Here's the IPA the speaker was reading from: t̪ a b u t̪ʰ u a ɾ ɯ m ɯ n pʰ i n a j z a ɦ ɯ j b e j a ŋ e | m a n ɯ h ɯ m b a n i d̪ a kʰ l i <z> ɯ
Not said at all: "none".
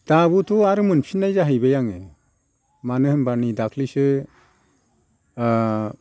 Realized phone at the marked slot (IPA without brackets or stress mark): s